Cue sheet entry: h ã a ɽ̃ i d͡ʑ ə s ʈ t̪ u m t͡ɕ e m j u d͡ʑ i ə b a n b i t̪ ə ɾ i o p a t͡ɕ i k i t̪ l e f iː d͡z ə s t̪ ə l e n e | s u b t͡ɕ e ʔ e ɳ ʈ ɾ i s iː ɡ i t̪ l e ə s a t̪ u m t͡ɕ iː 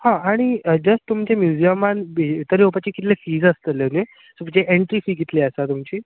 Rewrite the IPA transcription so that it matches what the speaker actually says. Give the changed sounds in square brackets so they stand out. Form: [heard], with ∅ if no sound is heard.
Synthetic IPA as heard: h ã a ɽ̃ i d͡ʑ ə s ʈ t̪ u m t͡ɕ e m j u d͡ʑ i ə [m] a n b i t̪ ə ɾ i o p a t͡ɕ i k i t̪ l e f iː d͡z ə s t̪ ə l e n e | s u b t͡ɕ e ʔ e ɳ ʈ ɾ i [f] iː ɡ i t̪ l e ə s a t̪ u m t͡ɕ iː